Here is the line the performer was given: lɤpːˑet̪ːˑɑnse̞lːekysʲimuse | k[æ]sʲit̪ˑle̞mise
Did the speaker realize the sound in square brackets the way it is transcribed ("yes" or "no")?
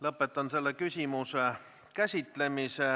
yes